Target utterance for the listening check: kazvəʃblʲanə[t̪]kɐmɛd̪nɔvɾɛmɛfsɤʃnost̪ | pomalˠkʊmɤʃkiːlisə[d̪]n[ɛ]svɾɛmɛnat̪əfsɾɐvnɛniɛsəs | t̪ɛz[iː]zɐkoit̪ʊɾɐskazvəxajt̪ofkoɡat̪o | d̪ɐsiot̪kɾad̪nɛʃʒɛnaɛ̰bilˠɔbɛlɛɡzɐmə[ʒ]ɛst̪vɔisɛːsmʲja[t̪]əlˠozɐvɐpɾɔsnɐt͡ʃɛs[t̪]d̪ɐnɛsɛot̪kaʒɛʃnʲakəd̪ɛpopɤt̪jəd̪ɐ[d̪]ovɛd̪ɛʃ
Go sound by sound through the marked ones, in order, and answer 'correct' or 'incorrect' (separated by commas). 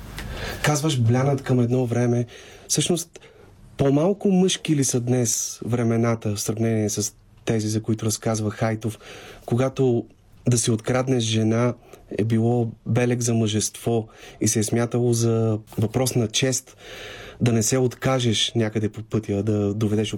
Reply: correct, correct, correct, incorrect, correct, correct, correct, correct